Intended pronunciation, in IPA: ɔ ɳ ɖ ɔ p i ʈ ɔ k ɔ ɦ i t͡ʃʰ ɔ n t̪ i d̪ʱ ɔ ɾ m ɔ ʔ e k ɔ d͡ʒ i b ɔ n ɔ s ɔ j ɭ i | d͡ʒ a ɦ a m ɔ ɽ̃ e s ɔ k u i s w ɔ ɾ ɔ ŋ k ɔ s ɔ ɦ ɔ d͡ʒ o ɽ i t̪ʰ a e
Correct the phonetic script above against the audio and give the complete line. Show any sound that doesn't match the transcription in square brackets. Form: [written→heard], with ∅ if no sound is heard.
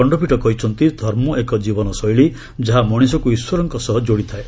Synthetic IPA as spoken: ɔ ɳ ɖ ɔ p i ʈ ɔ k ɔ ɦ i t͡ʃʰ ɔ n t̪ i d̪ʱ ɔ ɾ m ɔ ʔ e k ɔ d͡ʒ i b ɔ n ɔ s ɔ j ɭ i | d͡ʒ a ɦ a m ɔ ɽ̃ [e→i] s ɔ k u i s w ɔ ɾ ɔ ŋ k ɔ s ɔ ɦ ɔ d͡ʒ o ɽ i t̪ʰ a e